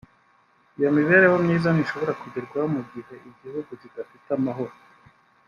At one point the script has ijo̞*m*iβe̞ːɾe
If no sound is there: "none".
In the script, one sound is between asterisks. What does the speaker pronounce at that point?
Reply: m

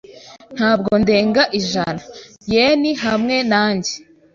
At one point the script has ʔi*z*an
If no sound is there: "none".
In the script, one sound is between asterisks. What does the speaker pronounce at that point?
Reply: ʒ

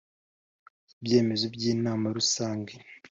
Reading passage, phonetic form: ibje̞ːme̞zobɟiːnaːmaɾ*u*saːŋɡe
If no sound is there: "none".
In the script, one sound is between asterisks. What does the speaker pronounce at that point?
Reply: u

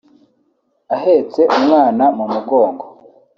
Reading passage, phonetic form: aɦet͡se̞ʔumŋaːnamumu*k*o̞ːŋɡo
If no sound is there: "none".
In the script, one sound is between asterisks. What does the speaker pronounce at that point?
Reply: ɡ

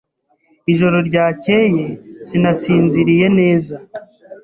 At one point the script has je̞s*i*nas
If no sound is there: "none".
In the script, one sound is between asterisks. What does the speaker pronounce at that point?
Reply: i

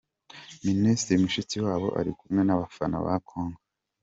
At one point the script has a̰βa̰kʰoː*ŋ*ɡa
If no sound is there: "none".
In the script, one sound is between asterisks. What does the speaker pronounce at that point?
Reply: ŋ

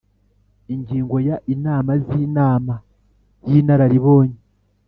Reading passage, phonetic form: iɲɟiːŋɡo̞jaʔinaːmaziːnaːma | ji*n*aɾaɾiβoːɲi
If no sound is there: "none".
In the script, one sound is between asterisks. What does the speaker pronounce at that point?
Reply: n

